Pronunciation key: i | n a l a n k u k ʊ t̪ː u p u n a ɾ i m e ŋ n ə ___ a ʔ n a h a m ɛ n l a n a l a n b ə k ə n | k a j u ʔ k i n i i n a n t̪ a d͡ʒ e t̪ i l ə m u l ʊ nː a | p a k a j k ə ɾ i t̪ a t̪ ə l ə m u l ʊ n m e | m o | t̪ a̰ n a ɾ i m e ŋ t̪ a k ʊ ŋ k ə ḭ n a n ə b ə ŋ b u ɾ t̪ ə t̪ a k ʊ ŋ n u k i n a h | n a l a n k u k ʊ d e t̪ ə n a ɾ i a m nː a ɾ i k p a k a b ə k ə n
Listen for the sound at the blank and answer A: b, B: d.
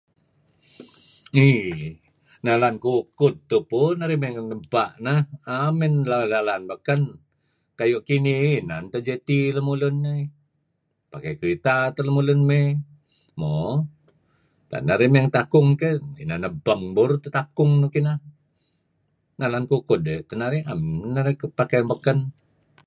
A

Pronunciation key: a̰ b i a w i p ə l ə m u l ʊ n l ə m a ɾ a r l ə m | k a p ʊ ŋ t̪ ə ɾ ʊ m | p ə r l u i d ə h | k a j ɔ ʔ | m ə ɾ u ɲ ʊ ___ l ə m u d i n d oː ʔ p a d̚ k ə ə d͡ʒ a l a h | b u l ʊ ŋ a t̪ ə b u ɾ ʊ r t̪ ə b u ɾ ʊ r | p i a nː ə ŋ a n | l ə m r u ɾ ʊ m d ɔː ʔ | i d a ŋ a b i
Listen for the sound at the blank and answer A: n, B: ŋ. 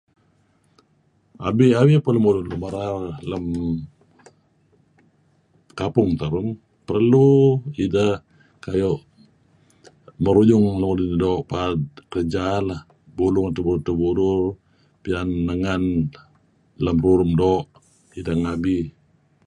B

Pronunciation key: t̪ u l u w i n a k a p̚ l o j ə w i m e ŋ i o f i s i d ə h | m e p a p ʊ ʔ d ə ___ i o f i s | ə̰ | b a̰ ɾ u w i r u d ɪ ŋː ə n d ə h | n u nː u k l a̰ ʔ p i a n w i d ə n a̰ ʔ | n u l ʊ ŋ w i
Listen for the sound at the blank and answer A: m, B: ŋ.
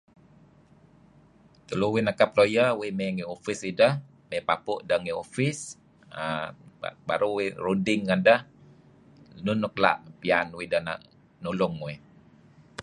B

